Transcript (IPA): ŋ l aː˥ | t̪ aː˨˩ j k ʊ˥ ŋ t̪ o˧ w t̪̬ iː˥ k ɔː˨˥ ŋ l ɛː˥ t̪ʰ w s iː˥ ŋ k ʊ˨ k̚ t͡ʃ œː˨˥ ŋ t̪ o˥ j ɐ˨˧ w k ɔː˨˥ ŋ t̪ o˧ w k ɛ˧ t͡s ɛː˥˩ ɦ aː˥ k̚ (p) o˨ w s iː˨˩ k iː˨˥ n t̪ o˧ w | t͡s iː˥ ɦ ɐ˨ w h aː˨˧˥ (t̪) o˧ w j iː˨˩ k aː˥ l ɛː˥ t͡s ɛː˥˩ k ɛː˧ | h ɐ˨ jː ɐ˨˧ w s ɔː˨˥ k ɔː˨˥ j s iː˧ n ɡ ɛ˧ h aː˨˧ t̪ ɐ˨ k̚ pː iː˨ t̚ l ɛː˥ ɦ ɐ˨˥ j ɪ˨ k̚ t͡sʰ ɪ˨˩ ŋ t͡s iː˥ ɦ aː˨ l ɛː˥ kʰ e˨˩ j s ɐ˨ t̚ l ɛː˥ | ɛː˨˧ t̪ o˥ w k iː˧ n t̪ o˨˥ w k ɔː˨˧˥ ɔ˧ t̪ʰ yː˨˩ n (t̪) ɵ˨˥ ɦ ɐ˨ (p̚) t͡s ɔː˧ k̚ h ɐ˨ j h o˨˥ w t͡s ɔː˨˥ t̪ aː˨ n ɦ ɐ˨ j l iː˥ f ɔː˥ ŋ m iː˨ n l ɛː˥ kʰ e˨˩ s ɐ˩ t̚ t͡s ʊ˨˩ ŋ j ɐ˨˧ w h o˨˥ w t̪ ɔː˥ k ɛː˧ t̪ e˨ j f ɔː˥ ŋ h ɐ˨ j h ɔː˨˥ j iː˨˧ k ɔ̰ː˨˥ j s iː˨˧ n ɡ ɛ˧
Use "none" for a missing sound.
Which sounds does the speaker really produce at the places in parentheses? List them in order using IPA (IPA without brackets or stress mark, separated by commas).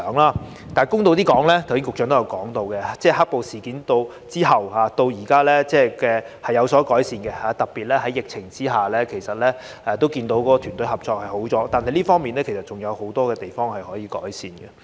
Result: p, t̪, t̪, p̚